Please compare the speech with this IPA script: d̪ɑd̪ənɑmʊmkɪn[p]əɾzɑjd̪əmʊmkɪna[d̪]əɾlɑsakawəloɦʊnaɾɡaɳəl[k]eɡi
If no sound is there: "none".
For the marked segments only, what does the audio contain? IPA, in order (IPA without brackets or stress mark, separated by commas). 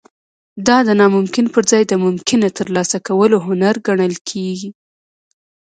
p, t̪, kʰ